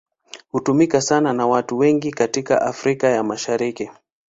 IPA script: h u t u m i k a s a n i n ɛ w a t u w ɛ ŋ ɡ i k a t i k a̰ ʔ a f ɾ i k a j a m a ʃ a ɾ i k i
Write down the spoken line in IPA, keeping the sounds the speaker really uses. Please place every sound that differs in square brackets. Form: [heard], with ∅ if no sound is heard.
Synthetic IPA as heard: h u t u m i k a s a n [a] n [a] w a t u w ɛ ŋ ɡ i k a t i k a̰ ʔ a f ɾ i k a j a m a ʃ a ɾ i k i